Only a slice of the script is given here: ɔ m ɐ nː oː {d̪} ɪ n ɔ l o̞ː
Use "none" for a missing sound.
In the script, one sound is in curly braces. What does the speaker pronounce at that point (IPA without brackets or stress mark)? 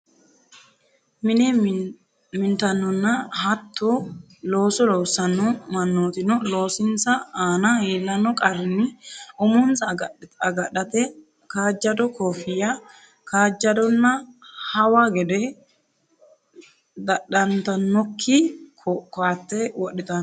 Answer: t̪